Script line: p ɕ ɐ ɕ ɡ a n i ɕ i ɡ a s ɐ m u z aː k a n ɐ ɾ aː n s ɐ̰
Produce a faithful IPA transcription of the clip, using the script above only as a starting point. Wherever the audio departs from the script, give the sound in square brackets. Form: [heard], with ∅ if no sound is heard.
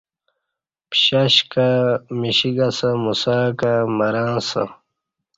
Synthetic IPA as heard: p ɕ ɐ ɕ [k] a [m] i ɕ i ɡ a s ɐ m u [s] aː k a [m] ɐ ɾ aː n s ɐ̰